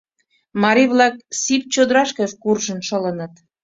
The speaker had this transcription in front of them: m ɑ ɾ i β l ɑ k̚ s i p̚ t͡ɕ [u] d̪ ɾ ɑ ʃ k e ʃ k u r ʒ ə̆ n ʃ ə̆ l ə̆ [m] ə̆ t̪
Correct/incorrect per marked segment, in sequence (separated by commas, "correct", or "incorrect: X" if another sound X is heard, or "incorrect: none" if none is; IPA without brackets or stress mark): incorrect: o, incorrect: n